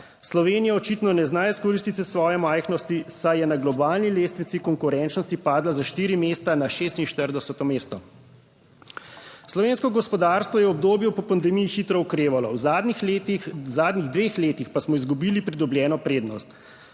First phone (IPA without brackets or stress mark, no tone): s